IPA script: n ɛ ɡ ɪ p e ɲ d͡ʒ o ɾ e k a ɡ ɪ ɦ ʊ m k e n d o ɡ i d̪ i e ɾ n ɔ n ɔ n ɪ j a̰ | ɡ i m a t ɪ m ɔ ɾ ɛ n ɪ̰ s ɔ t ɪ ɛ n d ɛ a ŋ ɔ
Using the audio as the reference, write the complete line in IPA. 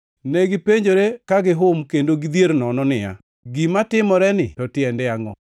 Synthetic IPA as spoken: n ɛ ɡ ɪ p e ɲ d͡ʒ o ɾ e k a ɡ ɪ ɦ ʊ m k e n d o ɡ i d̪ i e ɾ n ɔ n ɔ n ɪ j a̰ | ɡ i m a t ɪ m ɔ ɾ ɛ n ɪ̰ t ɔ t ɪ ɛ n d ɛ a ŋ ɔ